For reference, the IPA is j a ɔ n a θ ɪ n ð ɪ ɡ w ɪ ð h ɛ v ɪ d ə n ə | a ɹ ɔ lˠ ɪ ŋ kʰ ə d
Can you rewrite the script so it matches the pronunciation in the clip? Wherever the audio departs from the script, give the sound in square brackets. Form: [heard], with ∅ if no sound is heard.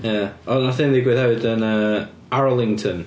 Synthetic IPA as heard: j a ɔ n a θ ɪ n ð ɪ ɡ w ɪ ð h ɛ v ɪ d ə n ə | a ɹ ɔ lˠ ɪ ŋ [tʰ] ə [n]